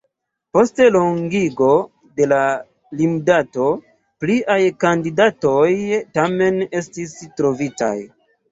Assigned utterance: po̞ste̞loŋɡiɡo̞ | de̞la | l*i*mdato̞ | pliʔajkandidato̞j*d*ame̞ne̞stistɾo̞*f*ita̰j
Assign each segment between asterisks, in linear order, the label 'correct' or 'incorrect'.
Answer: correct, incorrect: t, incorrect: v

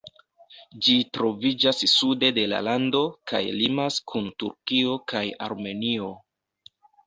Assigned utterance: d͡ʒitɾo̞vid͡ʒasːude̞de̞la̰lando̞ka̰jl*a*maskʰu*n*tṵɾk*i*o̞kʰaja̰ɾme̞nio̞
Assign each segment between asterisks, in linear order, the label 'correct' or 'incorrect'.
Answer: incorrect: i, correct, correct

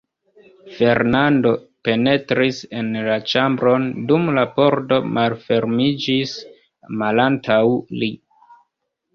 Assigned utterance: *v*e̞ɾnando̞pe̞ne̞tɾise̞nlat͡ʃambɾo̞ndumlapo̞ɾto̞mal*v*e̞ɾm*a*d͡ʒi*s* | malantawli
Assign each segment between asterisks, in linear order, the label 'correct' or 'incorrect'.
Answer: incorrect: f, incorrect: f, incorrect: i, correct

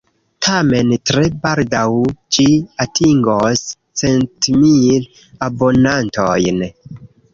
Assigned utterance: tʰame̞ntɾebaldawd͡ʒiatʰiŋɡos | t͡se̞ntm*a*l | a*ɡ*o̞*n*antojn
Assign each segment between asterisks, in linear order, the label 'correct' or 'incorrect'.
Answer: incorrect: i, incorrect: b, correct

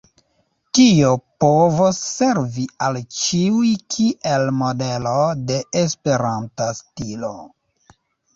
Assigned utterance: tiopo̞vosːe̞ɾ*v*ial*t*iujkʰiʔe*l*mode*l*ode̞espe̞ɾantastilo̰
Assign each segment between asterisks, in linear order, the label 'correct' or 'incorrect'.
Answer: correct, incorrect: t͡ʃ, correct, correct

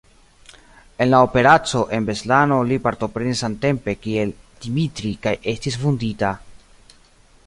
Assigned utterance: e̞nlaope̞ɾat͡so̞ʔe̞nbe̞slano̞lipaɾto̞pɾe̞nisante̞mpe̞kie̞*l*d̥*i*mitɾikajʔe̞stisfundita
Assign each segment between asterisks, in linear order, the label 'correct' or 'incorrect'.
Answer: correct, correct

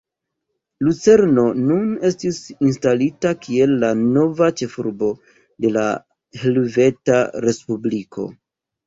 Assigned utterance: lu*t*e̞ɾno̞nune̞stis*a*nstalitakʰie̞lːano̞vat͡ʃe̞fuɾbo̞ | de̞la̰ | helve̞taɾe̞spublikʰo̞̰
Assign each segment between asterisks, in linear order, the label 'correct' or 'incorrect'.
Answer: incorrect: t͡s, incorrect: i

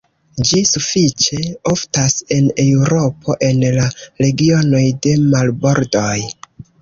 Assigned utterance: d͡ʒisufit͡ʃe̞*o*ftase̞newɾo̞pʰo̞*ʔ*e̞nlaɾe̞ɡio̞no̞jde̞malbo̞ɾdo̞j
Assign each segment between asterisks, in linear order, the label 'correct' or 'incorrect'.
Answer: correct, correct

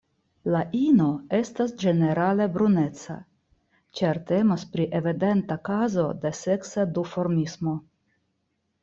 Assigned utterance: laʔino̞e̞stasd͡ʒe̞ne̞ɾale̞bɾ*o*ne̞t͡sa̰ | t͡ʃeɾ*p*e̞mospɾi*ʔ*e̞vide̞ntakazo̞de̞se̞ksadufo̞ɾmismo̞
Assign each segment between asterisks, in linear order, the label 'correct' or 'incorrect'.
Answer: incorrect: u, incorrect: t, correct

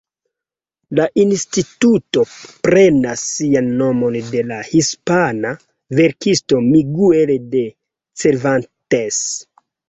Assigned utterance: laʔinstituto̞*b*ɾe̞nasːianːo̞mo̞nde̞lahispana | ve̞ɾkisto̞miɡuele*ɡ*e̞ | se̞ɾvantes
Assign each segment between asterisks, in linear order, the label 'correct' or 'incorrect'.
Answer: incorrect: p, incorrect: d

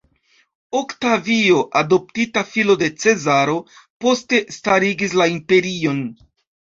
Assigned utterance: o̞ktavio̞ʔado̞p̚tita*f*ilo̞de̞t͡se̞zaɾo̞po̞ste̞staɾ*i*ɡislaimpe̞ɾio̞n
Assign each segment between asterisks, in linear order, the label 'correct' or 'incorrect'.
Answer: correct, correct

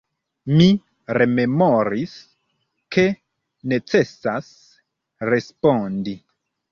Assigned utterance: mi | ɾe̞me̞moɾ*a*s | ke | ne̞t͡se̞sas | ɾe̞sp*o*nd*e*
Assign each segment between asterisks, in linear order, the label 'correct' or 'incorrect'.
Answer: incorrect: i, correct, incorrect: i

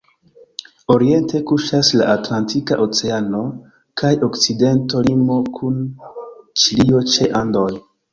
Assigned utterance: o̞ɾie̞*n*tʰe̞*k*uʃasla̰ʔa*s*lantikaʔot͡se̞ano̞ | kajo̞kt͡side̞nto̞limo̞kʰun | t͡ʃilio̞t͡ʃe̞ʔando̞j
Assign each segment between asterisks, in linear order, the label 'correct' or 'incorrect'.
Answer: correct, correct, incorrect: t

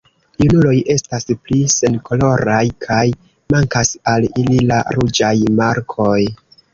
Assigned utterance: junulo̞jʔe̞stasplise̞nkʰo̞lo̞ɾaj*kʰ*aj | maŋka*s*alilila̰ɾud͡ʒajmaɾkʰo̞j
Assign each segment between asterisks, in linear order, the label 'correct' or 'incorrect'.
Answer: correct, correct

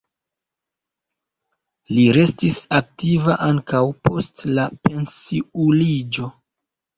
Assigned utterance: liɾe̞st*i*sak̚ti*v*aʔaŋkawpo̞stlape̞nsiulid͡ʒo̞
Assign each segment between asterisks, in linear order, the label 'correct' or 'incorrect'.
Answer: correct, correct

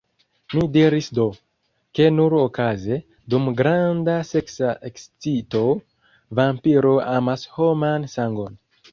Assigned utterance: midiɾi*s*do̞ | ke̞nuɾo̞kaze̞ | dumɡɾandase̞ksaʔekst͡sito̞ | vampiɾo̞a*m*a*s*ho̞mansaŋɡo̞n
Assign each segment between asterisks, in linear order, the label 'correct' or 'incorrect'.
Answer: correct, correct, correct

